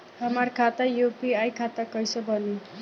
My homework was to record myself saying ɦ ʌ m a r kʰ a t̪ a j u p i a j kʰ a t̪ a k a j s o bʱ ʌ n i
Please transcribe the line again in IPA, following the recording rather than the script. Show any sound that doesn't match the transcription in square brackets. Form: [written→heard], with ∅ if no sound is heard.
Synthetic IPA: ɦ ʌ m a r kʰ a t̪ a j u p i a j kʰ a t̪ a k [a→ʌ] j s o bʱ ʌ n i

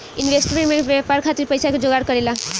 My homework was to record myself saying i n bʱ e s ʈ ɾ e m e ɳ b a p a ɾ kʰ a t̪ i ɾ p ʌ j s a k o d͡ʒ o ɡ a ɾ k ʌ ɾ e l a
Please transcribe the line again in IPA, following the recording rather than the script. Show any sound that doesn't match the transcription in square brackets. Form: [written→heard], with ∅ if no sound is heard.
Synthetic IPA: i n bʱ e s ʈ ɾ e m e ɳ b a p a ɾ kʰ a t̪ i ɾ p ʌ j s a k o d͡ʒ o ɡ a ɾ k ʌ ɾ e l a

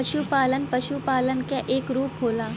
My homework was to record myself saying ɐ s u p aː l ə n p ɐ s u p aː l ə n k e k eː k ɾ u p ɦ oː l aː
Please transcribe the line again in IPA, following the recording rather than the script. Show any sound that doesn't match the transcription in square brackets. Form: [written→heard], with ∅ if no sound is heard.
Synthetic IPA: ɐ [s→ʃ] u p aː l ə n p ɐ [s→ʃ] u p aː l ə n k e [k→ʔ] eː k ɾ [u→uː] p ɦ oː l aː

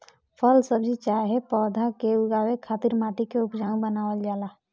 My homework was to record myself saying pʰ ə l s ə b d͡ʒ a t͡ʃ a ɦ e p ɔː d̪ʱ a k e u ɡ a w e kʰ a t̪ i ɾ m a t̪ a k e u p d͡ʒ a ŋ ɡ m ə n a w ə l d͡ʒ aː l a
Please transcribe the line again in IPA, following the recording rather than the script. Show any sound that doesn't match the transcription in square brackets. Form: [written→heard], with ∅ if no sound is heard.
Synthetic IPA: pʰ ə l s ə b d͡ʒ [a→i] t͡ʃ a ɦ e p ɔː d̪ʱ a k e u ɡ a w e kʰ a t̪ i ɾ m a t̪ [a→i] k e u p d͡ʒ a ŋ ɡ [m→b] ə n a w ə l d͡ʒ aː l a

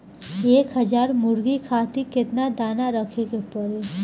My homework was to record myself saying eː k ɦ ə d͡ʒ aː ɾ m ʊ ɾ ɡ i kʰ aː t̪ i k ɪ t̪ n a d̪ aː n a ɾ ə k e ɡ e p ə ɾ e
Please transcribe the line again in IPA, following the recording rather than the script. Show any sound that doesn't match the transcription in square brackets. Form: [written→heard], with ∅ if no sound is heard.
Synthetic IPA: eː k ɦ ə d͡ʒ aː ɾ m ʊ ɾ ɡ i kʰ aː t̪ i k ɪ t̪ n a d̪ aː n a ɾ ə [k→kʰ] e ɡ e p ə ɾ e

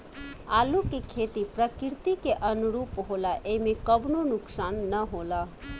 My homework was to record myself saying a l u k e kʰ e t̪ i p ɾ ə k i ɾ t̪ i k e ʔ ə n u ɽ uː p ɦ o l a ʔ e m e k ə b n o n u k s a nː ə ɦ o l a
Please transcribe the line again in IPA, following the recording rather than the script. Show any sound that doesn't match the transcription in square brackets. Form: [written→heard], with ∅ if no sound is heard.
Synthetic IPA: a l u k e kʰ e t̪ i p ɾ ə k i ɾ t̪ i k e ʔ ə n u [ɽ→ɾ] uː p ɦ o l a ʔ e m e k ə b n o n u k s a nː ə ɦ o l a

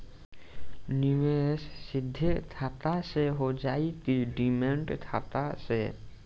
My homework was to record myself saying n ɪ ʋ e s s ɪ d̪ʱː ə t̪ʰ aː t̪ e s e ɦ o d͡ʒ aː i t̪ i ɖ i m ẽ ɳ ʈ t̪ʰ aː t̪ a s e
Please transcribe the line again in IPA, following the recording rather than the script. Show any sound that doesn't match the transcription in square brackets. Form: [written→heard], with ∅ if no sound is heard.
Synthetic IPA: n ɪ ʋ e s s ɪ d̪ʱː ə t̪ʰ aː t̪ [e→a] s e ɦ o d͡ʒ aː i t̪ i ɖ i m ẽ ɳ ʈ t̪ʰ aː t̪ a s e

